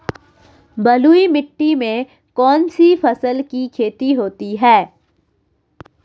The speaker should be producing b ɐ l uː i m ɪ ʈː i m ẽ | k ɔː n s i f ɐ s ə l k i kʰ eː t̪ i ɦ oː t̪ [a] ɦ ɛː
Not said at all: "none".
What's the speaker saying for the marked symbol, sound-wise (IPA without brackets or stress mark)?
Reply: i